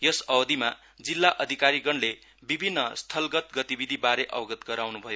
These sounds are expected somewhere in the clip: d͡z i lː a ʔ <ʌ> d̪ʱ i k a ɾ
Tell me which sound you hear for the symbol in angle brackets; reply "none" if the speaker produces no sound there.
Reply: ʌ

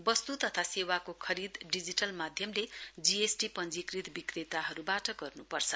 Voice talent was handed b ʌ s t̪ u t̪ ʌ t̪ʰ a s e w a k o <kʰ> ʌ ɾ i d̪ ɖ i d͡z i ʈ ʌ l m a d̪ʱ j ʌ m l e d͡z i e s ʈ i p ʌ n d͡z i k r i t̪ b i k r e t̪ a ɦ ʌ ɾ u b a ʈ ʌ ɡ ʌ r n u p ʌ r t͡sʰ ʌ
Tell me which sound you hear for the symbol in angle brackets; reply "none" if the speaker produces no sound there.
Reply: kʰ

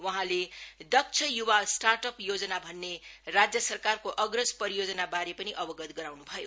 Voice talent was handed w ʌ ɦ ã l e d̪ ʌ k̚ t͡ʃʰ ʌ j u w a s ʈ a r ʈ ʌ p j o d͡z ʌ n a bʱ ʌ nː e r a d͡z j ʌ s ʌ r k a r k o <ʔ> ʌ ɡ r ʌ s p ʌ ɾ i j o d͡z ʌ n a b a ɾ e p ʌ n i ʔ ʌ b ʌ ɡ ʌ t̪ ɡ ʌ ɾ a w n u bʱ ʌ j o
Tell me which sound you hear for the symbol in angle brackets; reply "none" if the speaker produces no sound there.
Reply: ʔ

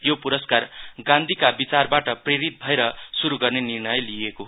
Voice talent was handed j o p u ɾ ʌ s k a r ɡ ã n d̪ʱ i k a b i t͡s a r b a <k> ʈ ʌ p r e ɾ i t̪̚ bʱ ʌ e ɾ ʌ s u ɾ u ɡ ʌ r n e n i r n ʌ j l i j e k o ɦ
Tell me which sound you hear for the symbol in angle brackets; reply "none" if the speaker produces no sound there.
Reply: none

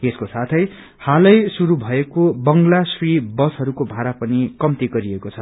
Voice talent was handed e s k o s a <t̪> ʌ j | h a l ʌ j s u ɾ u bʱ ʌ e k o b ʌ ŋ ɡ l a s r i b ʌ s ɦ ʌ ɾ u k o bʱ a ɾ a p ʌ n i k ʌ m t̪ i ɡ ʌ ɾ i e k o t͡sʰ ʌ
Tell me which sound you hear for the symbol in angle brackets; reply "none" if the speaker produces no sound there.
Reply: t̪ʰ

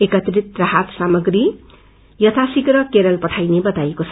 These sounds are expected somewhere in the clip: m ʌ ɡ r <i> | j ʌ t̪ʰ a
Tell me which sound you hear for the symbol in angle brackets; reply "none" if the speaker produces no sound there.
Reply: i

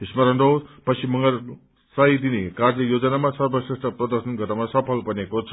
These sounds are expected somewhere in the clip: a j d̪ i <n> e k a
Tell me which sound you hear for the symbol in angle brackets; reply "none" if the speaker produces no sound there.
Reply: n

